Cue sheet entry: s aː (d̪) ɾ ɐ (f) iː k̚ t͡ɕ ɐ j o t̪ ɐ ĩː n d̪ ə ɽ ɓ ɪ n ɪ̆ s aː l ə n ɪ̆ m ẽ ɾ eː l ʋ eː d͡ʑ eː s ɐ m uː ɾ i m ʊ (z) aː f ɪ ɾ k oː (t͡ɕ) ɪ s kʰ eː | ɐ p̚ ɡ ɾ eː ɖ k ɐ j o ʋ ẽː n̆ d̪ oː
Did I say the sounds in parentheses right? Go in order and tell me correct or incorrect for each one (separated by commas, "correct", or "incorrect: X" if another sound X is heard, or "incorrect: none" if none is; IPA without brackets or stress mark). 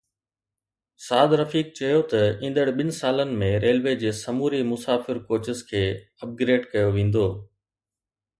correct, correct, incorrect: s, correct